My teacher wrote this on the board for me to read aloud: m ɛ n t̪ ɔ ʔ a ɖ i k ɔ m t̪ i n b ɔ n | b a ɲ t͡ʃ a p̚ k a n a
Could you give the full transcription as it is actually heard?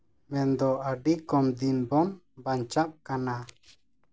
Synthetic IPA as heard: m ɛ n d̪ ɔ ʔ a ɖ i k ɔ m d̪ i n b ɔ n | b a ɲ t͡ʃ a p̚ k a n a